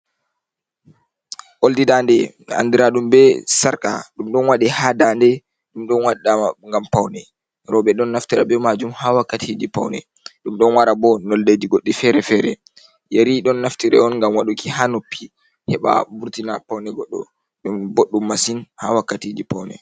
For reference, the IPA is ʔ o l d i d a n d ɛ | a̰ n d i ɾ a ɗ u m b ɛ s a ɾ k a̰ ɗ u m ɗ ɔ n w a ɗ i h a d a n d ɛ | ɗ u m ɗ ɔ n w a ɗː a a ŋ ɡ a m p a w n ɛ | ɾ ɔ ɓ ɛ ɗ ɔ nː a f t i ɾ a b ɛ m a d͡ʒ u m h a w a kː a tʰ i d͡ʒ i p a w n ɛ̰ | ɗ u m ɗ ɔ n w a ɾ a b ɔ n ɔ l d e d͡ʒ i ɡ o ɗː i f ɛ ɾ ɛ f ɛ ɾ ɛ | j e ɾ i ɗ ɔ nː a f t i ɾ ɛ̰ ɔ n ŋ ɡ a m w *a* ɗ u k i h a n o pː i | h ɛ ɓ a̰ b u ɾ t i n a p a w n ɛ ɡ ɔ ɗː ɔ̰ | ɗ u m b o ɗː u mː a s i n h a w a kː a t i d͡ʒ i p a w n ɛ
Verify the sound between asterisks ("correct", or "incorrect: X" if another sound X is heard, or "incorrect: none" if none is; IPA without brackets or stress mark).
correct